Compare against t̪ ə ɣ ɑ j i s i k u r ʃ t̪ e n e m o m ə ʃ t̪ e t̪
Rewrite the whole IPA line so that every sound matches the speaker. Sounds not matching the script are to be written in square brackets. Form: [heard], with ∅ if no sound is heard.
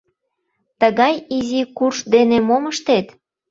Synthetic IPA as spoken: t̪ ə ɣ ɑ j i [z] i k u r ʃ [d̪] e n e m o m ə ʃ t̪ e t̪